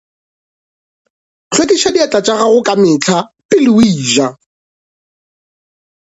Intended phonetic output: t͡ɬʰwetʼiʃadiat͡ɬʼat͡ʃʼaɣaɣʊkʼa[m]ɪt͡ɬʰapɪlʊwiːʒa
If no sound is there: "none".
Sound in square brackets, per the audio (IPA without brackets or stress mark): m